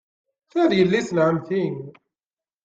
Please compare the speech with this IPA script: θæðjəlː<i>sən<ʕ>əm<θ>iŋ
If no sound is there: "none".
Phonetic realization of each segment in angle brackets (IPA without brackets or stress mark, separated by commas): i, ʕ, θ